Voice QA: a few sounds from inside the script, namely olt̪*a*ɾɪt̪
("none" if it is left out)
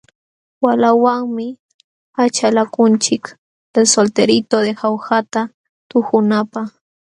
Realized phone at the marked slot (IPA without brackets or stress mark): e